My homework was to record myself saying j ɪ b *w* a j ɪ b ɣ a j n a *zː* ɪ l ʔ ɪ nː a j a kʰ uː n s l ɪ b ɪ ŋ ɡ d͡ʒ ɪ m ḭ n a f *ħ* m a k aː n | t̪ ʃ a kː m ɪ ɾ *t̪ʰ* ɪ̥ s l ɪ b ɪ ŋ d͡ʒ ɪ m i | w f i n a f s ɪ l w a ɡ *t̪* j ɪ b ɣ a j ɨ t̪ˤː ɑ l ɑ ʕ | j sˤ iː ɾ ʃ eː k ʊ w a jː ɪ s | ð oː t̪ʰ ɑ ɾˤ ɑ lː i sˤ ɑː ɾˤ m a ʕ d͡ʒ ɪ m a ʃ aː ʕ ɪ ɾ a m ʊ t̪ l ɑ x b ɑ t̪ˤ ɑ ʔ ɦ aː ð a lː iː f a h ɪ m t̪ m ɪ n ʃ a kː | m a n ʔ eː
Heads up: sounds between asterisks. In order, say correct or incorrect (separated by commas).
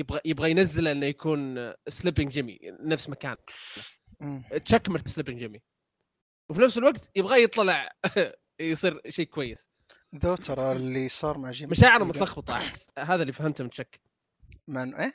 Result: incorrect, correct, incorrect, incorrect, correct